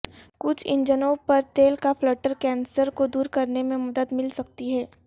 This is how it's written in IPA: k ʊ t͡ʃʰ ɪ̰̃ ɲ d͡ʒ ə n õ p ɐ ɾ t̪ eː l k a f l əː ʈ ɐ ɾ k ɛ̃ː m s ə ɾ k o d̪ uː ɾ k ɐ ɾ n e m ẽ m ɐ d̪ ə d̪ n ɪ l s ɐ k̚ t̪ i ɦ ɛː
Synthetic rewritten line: k ʊ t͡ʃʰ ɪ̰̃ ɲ d͡ʒ ə n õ p ɐ ɾ t̪ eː l k a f l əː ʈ ə ɾ k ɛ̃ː n s ə ɾ k o d̪ uː ɾ k ɐ ɾ n e m ẽ m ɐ d̪ ə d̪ m ɪ l s ɐ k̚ t̪ i ɦ ɛː

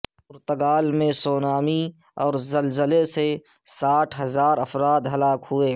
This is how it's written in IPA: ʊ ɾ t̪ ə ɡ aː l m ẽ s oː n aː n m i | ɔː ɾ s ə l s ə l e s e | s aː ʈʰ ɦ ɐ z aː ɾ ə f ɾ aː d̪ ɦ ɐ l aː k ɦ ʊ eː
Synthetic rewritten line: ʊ ɾ t̪ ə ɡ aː l m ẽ s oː n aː m i | ɔː ɾ z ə l z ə l e s e | s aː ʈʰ ɦ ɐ z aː ɾ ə f ɾ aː d̪ ɦ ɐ l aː k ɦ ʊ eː

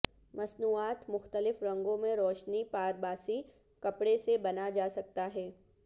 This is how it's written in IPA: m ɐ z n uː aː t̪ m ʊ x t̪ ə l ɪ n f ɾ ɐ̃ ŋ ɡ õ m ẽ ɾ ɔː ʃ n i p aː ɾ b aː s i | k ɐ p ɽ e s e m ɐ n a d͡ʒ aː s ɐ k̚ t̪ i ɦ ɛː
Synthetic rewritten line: m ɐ s n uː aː t̪ m ʊ x t̪ ə l ɪ f ɾ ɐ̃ ŋ ɡ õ m ẽ ɾ ɔː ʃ n i p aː ɾ b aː s i | k ɐ p ɽ e s e b ɐ n a d͡ʒ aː s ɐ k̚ t̪ a ɦ ɛː

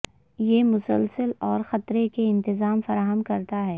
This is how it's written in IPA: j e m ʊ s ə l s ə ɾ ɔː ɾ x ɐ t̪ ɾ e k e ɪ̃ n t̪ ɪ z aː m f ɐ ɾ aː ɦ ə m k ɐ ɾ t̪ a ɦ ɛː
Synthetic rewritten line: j e m ʊ s ə l s ə l ɔː ɾ x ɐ t̪ ɾ e k e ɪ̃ n t̪ ɪ z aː m f ɐ ɾ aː ɦ ə m k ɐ ɾ t̪ a ɦ ɛː

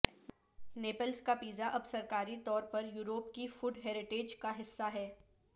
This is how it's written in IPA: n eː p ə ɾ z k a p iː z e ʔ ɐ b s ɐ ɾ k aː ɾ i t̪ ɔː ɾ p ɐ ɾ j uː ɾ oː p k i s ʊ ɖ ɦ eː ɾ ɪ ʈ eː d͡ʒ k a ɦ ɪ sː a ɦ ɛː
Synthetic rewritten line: n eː p ə l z k a p iː z a ʔ ɐ b s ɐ ɾ k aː ɾ i t̪ ɔː ɾ p ɐ ɾ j uː ɾ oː p k i f ʊ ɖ ɦ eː ɾ ɪ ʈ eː d͡ʒ k a ɦ ɪ sː a ɦ ɛː

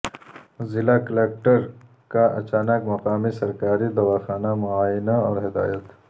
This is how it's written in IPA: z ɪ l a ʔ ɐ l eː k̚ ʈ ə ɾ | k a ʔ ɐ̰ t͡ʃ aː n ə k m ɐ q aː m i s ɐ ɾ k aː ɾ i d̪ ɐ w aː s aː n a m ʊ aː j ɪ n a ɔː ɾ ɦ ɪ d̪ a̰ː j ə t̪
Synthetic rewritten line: z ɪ l a k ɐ l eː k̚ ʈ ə ɾ | k a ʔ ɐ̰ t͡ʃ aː n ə k m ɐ q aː m i s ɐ ɾ k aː ɾ i d̪ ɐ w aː x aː n a m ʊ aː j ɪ n a ɔː ɾ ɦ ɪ d̪ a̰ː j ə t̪

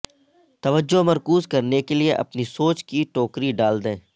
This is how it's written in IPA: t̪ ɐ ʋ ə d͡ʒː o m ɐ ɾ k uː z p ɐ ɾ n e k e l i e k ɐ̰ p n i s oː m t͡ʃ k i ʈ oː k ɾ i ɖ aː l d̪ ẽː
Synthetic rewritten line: t̪ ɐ ʋ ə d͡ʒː o m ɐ ɾ k uː z k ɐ ɾ n e k e l i e ʔ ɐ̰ p n i s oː t͡ʃ k i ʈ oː k ɾ i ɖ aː l d̪ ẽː

